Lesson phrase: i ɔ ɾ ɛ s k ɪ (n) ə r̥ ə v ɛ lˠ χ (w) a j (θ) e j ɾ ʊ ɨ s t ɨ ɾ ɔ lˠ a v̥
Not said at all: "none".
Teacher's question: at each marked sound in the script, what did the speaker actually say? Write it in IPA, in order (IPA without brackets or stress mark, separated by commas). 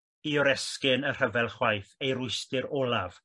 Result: n, w, θ